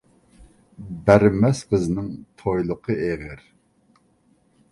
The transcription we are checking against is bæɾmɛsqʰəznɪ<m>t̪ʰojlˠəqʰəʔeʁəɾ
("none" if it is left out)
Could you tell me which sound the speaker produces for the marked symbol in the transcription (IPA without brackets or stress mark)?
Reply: ŋ